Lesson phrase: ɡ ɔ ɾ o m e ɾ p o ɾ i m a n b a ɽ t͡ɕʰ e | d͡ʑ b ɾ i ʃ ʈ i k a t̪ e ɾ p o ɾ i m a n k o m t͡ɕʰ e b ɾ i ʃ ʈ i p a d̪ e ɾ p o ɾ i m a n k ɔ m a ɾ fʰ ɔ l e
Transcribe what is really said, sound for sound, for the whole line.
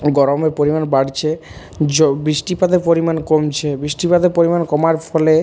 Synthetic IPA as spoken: ɡ ɔ ɾ o m e ɾ p o ɾ i m a n b a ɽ t͡ɕʰ e | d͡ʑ b ɾ i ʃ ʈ i p a d̪ e ɾ p o ɾ i m a n k o m t͡ɕʰ e b ɾ i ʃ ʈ i p a d̪ e ɾ p o ɾ i m a n k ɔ m a ɾ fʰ ɔ l e